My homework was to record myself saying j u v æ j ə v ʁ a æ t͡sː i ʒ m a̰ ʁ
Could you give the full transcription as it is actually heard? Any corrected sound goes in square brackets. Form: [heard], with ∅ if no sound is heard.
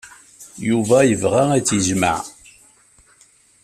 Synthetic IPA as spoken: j u v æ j ə v ʁ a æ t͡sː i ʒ m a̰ [ʕ]